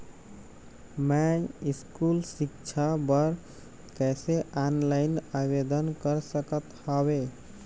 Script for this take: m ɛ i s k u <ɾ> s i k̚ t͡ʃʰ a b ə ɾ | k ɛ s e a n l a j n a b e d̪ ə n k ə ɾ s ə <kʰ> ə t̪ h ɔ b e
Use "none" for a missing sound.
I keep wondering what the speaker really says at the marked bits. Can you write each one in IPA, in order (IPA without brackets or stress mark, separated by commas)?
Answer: l, k